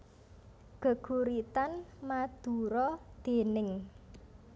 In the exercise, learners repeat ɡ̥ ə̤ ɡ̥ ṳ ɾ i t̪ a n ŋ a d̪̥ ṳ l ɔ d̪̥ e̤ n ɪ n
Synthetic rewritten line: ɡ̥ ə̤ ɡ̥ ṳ ɾ i t̪ a n m a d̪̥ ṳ ɾ ɔ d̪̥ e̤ n ɪ ŋ